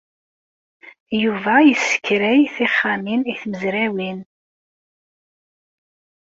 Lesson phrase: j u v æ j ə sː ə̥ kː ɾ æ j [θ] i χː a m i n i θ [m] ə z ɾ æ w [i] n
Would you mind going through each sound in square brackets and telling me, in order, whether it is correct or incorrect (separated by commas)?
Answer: correct, correct, correct